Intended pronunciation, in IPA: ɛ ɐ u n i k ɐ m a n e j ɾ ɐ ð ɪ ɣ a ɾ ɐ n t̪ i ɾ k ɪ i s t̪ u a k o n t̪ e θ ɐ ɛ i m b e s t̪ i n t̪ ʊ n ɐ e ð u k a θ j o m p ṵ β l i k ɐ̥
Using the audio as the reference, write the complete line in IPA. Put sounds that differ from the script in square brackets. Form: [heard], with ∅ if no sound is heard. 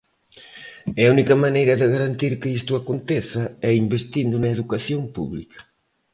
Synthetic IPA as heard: ɛ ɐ u n i k ɐ m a n e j ɾ ɐ ð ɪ ɣ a ɾ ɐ n t̪ i ɾ k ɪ i s t̪ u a k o n t̪ e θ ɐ ɛ i m b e s t̪ i n [d̪] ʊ n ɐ e ð u k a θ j o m p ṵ β l i k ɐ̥